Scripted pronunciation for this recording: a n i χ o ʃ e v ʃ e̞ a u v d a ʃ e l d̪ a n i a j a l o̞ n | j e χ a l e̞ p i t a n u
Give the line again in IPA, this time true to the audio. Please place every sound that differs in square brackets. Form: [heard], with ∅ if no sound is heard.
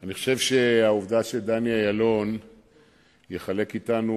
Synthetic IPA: a n i χ o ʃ e v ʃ e̞ a u v d a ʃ e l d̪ a n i a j a l o̞ n | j e χ a l e̞ [k] i t a n u

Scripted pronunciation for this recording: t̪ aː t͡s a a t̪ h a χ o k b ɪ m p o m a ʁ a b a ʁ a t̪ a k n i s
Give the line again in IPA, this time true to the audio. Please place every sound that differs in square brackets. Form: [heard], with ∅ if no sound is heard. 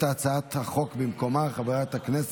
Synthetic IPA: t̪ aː t͡s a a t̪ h a χ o k b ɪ m [k] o m a [χ] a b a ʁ a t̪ a k n [ɛ] s

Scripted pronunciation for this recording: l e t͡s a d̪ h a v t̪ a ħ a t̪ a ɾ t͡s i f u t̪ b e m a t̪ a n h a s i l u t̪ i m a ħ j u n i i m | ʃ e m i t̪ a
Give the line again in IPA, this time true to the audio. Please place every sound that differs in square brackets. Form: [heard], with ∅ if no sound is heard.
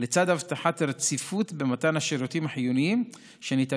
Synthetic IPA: l e t͡s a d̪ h a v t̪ a ħ a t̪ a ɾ t͡s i f u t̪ b e m a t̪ a n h a [ʃ] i [ɾ] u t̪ i m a ħ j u n i i m | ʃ e [n] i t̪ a

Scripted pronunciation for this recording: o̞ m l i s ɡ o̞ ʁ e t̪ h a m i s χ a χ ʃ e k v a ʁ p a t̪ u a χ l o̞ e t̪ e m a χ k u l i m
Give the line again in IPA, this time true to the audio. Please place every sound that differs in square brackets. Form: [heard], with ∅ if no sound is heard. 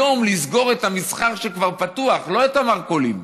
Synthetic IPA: o̞ m l i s ɡ o̞ ʁ e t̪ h a m i s χ a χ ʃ e k v a ʁ p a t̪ u a χ l o̞ e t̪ [a] m a [ʁ] k [o] l i m

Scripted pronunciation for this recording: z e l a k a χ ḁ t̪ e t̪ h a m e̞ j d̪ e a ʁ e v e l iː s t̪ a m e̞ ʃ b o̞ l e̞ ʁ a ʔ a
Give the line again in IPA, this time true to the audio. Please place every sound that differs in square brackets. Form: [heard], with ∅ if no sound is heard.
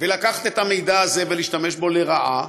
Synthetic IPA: [v] e l a k a χ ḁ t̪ e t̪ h a m e̞ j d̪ [a] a [z] e v e l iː [ʃ] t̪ a m e̞ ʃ b o̞ l e̞ ʁ a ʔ a

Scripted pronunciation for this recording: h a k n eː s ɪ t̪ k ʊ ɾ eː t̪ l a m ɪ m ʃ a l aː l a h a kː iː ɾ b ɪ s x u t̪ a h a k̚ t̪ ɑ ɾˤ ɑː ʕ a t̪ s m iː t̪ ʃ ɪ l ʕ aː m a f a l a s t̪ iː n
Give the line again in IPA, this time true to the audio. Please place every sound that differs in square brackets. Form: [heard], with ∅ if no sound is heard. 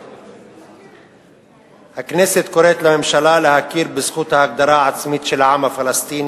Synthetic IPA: h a k n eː s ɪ t̪ k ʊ ɾ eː t̪ l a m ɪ m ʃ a l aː l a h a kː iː ɾ b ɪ s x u t̪ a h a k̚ [d̪] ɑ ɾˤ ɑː ʕ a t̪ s m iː t̪ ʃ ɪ l ʕ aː m a f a l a s t̪ iː n

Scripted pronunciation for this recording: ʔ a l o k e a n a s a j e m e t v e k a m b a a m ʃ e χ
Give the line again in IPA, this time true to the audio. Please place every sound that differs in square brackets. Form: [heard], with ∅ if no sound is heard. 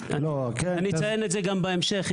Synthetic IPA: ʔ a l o k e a n [i] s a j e [n] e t [z] e [ɡ] a m b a [e] m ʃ e χ

